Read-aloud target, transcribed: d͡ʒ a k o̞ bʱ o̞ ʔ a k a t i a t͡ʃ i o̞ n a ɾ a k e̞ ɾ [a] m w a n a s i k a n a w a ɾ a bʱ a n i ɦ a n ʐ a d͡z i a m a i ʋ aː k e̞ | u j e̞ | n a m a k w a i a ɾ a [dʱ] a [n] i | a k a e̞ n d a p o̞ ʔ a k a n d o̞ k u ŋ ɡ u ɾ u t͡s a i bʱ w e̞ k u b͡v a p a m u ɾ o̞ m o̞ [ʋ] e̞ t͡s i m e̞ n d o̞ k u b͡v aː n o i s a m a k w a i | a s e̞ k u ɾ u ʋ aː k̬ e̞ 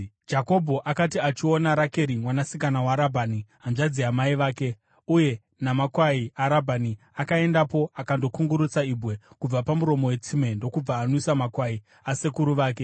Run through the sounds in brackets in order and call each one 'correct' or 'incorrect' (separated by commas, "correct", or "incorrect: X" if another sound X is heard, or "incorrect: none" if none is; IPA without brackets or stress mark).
incorrect: i, incorrect: bʱ, correct, incorrect: w